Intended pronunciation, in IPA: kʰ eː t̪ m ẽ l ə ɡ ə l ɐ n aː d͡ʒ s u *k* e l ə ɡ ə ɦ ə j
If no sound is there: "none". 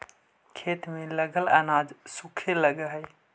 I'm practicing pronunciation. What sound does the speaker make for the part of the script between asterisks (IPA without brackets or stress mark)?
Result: kʰ